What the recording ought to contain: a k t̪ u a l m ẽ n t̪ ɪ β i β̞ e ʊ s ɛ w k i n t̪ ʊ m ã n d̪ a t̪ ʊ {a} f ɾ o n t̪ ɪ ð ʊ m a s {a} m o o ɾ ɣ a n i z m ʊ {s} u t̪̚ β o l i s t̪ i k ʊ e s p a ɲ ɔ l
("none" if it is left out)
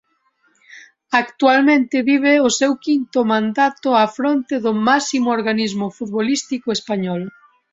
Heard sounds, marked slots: a, i, f

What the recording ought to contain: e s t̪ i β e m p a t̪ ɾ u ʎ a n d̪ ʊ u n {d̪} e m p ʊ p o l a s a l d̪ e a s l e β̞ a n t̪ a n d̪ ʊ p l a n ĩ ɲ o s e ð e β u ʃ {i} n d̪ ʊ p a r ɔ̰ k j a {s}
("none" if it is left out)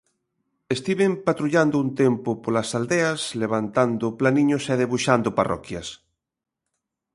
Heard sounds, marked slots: t̪, a, s

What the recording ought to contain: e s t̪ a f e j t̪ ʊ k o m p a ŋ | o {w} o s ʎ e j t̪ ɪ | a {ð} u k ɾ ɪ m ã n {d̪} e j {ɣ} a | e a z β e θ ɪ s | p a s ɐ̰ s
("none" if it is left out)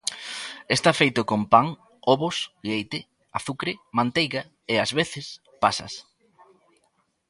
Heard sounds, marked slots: β, θ, t̪, ɣ

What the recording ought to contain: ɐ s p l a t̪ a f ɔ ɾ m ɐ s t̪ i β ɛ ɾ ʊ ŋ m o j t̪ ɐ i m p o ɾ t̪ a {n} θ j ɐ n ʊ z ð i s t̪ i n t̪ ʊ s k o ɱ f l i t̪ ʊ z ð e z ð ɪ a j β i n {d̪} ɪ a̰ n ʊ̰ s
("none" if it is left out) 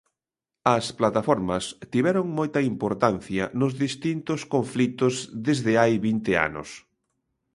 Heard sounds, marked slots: n, t̪

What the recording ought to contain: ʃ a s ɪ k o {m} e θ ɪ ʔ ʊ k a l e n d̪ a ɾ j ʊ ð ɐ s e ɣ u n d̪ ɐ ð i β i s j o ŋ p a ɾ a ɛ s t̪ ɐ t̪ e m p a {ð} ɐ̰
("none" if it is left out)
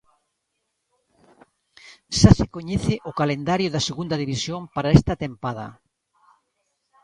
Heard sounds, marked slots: ɲ, ð

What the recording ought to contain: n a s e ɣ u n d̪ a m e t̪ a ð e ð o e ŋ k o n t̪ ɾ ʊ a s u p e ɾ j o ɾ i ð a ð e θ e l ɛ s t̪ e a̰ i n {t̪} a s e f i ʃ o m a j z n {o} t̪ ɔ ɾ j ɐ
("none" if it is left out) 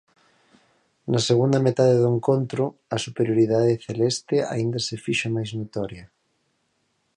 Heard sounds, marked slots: d̪, o

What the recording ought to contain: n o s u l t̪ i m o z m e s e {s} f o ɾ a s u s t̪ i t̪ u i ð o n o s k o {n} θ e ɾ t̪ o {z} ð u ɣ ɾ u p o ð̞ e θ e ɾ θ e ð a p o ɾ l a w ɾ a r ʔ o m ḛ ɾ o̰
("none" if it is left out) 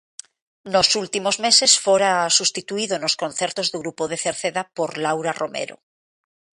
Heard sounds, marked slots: s, n, z

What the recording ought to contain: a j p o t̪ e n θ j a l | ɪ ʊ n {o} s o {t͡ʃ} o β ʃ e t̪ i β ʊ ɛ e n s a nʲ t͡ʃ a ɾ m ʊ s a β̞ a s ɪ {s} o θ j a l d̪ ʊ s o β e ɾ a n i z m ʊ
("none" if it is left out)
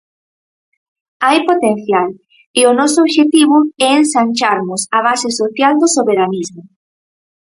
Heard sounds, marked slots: ɔ, none, s

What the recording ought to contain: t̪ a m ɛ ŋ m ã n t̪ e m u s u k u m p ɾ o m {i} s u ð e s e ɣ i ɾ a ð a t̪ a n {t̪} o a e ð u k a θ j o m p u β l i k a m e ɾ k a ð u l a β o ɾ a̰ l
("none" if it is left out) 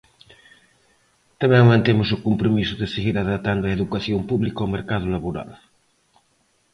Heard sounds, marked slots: i, d̪

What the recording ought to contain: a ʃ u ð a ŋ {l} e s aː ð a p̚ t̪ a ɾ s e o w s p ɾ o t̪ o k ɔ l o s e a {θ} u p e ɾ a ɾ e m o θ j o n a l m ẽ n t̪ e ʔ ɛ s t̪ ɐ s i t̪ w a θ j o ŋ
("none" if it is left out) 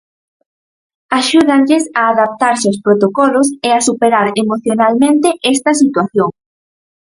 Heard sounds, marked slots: ʎ, s

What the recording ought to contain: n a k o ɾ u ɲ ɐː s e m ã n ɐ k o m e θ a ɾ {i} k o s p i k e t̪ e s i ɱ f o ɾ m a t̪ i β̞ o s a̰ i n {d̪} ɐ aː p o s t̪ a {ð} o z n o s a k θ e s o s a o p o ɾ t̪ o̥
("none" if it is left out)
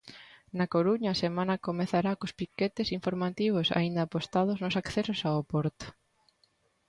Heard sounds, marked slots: a, d̪, ð

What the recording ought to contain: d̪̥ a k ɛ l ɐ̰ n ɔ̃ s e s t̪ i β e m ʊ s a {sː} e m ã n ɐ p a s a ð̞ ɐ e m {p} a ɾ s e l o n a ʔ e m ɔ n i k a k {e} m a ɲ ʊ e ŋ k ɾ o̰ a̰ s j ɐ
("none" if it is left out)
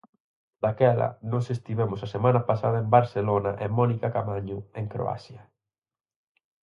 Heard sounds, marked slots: s, b, a

